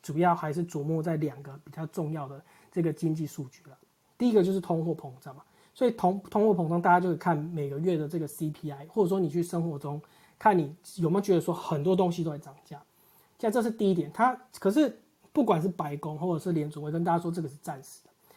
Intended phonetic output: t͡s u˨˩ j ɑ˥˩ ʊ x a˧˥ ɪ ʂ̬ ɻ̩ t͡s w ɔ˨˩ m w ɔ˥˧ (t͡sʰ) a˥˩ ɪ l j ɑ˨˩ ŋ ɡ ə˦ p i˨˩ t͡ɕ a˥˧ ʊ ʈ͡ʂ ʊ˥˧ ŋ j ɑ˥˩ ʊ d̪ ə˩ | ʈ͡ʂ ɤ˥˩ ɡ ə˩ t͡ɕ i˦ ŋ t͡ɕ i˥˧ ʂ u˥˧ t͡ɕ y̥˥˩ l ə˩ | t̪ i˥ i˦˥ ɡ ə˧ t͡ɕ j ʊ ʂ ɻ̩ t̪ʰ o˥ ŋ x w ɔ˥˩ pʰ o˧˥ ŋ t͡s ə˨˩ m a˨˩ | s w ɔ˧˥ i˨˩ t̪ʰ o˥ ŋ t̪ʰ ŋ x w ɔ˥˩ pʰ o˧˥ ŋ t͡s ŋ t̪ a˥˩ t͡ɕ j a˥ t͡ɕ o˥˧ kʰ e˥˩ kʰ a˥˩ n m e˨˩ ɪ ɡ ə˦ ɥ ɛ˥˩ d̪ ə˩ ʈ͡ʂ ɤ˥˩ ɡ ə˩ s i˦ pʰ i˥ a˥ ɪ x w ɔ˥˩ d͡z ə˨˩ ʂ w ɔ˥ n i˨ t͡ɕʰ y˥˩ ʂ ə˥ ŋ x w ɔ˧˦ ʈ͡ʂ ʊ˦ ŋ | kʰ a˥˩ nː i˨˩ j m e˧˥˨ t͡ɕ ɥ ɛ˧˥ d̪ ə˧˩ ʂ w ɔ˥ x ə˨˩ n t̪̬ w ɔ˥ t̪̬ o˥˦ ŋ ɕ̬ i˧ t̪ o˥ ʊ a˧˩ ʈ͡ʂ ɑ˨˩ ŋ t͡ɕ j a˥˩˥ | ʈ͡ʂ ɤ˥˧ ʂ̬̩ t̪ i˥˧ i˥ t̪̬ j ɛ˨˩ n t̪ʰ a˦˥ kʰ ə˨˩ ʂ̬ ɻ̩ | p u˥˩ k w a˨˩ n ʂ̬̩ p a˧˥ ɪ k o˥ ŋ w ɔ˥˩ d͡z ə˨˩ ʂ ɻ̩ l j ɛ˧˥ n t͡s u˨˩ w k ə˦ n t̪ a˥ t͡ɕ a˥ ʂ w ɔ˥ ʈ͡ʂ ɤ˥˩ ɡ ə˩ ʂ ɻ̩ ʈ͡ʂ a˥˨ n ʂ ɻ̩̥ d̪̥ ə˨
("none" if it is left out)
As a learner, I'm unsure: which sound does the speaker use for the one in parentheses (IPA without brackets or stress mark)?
t͡s